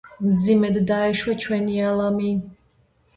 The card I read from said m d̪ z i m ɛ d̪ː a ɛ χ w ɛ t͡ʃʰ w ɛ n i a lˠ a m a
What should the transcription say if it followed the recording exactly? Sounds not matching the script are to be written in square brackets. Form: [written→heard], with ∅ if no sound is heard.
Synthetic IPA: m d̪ z i m ɛ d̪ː a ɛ [χ→ʃ] w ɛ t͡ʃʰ w ɛ n i a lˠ a m [a→i]